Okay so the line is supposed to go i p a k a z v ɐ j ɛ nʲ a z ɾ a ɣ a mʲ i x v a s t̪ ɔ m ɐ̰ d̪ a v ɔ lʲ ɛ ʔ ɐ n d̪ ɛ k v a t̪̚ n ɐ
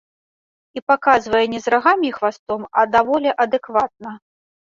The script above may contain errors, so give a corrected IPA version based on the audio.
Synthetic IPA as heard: i p a k a z v ɐ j ɛ nʲ ɛ z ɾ a ɣ a mʲ i x v a s t̪ ɔ m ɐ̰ d̪ a v ɔ lʲ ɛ ʔ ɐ d̪ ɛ k v a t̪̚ n ɐ